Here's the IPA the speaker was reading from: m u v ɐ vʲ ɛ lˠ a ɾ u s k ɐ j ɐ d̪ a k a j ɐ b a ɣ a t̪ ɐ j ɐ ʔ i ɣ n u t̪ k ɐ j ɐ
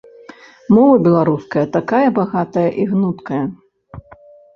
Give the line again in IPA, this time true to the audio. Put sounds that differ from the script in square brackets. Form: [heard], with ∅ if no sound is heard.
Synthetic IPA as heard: m [ɔ] v ɐ [bʲ] ɛ lˠ a ɾ u s k ɐ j ɐ [t̪] a k a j ɐ b a ɣ a t̪ ɐ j ɐ ʔ i ɣ n u t̪ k ɐ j ɐ